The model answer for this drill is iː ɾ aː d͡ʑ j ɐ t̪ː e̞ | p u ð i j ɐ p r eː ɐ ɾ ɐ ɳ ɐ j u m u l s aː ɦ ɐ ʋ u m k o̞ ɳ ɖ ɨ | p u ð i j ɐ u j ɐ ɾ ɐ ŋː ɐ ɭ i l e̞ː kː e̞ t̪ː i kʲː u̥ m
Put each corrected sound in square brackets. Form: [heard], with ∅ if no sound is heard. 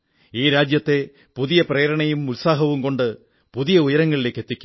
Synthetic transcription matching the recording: iː ɾ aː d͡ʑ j ɐ t̪ː e̞ | p u ð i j ɐ p r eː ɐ ɾ ɐ ɳ ɐ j u m u l s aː ɦ ɐ ʋ u m k o̞ ɳ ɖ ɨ | p u ð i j ɐ u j ɐ ɾ ɐ ŋː ɐ ɭ i l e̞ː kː e̞ t̪ː i kʲː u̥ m